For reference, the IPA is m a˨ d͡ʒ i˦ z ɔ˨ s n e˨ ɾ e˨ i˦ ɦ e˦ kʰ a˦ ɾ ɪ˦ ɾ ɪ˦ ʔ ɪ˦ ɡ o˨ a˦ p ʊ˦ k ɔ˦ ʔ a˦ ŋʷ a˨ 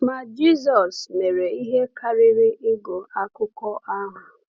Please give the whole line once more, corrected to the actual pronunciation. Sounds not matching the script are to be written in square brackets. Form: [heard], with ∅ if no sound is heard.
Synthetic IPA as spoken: m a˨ d͡ʒ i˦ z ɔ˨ s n e˨ ɾ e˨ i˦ ɦ e˦ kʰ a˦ ɾ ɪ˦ ɾ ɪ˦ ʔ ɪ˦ ɡ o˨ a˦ [k] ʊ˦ k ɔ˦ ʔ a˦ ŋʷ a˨